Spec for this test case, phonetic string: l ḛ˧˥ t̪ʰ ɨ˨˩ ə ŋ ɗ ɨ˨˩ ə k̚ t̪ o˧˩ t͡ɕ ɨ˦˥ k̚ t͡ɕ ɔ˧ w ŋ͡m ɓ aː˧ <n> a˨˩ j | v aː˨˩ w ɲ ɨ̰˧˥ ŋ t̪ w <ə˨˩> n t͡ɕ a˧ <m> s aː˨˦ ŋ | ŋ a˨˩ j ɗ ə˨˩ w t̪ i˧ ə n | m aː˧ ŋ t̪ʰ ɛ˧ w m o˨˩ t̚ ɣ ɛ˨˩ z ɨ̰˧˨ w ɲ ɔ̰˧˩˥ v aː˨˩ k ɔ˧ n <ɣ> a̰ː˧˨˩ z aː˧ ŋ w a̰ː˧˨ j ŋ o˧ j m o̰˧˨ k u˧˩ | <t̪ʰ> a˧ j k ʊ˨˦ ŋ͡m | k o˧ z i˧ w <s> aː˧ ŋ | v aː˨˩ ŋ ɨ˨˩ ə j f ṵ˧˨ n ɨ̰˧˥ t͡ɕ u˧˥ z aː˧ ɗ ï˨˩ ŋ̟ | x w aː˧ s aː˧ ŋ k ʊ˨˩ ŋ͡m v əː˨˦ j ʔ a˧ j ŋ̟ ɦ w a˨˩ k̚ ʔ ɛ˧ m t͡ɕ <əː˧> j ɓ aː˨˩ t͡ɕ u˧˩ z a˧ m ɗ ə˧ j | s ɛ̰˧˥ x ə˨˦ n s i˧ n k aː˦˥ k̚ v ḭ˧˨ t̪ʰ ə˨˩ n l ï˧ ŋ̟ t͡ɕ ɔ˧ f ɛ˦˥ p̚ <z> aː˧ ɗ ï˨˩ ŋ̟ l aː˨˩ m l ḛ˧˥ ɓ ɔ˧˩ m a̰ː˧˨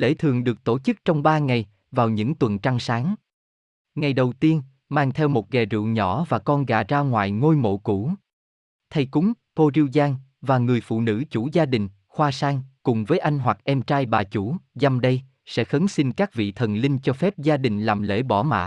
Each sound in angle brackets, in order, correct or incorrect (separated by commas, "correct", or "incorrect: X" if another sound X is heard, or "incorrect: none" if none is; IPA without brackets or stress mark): incorrect: ŋ, correct, incorrect: ŋ, correct, correct, incorrect: z, incorrect: aː˧, correct